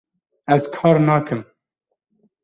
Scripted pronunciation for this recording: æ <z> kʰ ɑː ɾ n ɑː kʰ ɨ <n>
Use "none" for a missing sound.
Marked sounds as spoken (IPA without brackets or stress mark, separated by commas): z, m